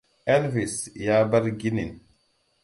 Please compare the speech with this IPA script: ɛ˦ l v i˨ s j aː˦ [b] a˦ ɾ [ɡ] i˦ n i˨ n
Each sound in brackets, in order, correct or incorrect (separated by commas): correct, correct